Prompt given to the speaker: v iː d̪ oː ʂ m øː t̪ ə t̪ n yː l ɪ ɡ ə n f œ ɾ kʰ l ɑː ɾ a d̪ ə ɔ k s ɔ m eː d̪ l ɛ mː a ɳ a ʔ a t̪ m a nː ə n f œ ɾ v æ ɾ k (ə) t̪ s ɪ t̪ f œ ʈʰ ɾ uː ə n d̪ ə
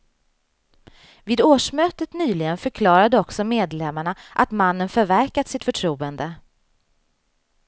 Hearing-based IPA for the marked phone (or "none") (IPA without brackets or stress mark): a